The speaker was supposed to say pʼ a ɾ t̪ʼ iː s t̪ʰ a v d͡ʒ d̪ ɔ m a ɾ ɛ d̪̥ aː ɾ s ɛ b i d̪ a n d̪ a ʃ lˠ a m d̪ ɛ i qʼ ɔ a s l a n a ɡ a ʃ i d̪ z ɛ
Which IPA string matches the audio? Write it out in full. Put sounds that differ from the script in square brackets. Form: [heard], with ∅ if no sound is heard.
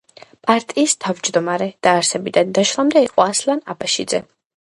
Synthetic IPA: pʼ a ɾ t̪ʼ iː s t̪ʰ a v d͡ʒ d̪ ɔ m a ɾ ɛ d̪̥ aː ɾ s ɛ b i d̪ a n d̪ a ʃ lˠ a m d̪ ɛ i qʼ ɔ a s l a n a [b] a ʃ i d̪ z ɛ